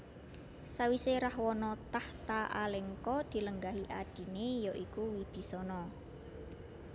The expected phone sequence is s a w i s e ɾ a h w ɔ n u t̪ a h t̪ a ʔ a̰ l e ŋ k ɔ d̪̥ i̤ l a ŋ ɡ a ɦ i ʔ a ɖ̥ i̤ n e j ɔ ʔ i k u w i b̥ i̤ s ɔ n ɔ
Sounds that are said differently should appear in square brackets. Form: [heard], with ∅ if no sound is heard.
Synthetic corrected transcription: s a w i s e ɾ a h w ɔ n [ɔ] t̪ a h t̪ a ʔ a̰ l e ŋ k ɔ d̪̥ i̤ l [ə] ŋ ɡ a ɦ i ʔ a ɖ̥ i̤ n e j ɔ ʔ i k u w i b̥ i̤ s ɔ n ɔ

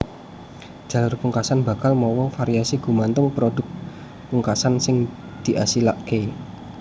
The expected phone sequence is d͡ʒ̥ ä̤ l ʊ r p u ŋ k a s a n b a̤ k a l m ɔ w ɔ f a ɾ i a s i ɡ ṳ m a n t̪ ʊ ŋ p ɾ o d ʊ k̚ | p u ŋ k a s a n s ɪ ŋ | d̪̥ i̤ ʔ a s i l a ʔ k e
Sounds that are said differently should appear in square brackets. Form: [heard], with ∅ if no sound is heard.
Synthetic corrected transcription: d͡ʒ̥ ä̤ l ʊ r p u ŋ k a s a n b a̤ k a l m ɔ w ɔ f a ɾ i a s i ɡ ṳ m a n t̪ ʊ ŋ p ɾ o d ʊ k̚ | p u ŋ k a s a n s ɪ ŋ | d̪̥ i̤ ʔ a s i l a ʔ k e

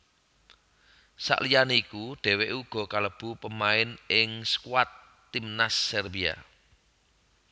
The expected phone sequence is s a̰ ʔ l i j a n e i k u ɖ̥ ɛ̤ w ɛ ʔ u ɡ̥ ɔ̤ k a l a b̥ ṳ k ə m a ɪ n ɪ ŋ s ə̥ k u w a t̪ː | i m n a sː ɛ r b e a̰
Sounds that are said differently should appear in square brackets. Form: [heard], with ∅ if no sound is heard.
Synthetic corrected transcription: s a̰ ʔ l i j a n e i k u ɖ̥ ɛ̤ w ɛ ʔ u ɡ̥ ɔ̤ k a l [ə] b̥ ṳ [p] ə m a ɪ n ɪ ŋ s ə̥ k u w a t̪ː | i m n a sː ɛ r b [i] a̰

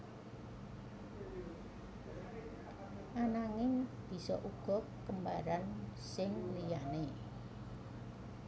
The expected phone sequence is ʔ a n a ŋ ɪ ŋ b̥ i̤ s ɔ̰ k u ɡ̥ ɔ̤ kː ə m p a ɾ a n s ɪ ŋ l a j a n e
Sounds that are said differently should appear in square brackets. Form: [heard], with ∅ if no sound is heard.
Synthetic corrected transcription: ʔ a n a ŋ ɪ ŋ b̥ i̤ s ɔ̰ [ʔ] u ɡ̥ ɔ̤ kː ə m [b] a ɾ a n s ɪ ŋ l [i] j a n e

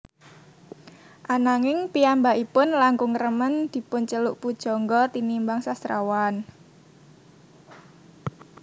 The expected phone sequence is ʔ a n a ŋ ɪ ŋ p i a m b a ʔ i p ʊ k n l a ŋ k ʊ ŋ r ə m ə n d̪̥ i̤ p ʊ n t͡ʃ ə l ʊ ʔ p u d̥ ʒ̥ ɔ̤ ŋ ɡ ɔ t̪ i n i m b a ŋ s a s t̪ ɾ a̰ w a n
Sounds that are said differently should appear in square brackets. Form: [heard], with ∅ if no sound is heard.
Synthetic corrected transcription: ʔ a n a ŋ ɪ ŋ p i a m b a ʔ i p ʊ [∅] n l a ŋ k ʊ ŋ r ə m ə n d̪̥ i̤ p ʊ n t͡ʃ ə l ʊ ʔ p u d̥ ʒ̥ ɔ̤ ŋ ɡ ɔ t̪ i n i m b a ŋ s a s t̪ ɾ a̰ w a n

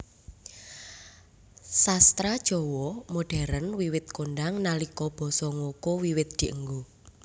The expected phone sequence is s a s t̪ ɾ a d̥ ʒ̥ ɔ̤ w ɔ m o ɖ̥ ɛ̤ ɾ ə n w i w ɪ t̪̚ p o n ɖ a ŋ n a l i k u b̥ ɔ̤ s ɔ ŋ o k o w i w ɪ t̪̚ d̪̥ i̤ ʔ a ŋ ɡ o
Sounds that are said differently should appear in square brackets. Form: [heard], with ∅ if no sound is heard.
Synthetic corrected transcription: s a s t̪ ɾ a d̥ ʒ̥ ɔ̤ w ɔ m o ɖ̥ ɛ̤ ɾ ə n w i w ɪ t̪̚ [k] o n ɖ a ŋ n a l i k [ɔ] b̥ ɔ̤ s ɔ ŋ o k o w i w ɪ t̪̚ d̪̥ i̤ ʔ [ə] ŋ ɡ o

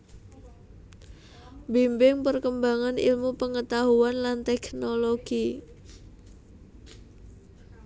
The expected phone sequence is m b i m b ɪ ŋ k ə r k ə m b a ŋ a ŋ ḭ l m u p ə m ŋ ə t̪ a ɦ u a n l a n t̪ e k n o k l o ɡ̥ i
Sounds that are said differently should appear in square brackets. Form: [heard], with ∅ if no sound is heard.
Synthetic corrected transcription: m b i m b ɪ ŋ [p] ə r k ə m b a ŋ a [n] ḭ l m u p ə [∅] ŋ ə t̪ a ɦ u a n l a n t̪ [ɛ] k n o [∅] l o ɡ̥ i

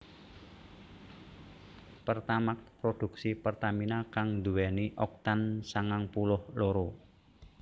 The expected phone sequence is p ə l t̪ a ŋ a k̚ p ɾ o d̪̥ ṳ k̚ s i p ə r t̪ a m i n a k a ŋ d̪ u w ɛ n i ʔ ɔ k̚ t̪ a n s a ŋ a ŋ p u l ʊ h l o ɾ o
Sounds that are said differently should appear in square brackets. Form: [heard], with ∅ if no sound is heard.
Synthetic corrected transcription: p ə [r] t̪ a [m] a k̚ p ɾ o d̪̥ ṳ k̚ s i p ə r t̪ a m i n a k a ŋ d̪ u w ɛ n i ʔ ɔ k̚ t̪ a n s a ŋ a ŋ p u l ʊ h l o ɾ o

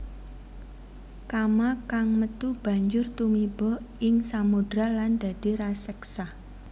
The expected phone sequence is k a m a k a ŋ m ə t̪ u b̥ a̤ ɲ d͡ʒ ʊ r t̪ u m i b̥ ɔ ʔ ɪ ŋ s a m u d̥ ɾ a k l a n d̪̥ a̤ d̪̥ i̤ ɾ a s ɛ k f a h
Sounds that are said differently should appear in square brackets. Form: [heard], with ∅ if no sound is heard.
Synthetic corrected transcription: k a m a k a ŋ m ə t̪ u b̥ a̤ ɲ d͡ʒ ʊ r t̪ u m i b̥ ɔ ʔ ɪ ŋ s a m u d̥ ɾ a [∅] l a n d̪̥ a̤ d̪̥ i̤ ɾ a s ɛ k [s] a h

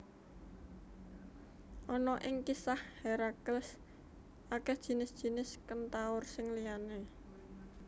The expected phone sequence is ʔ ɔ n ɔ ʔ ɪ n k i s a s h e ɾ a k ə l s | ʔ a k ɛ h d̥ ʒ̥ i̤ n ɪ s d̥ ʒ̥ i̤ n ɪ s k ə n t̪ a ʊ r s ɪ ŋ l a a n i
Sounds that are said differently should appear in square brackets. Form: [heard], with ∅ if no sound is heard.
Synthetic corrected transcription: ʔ ɔ n ɔ ʔ ɪ [ŋ] k i s a [h] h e ɾ a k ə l s | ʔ a k ɛ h d̥ ʒ̥ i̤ n ɪ s d̥ ʒ̥ i̤ n ɪ s k ə n t̪ a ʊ r s ɪ ŋ l [i] a n [e]

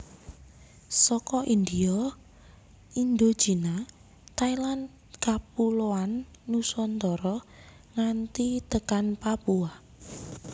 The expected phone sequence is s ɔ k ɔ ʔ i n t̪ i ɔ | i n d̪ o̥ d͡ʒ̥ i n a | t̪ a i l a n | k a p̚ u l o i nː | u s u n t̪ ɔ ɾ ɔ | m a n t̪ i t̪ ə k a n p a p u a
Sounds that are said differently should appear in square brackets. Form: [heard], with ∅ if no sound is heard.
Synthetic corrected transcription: s ɔ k ɔ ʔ i n [d̪] i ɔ | i n d̪ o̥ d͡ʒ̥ i n a | t̪ a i l a n | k a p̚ u l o [a] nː | u s [ɔ] n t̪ ɔ ɾ ɔ | [ŋ] a n t̪ i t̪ ə k a n p a p u a

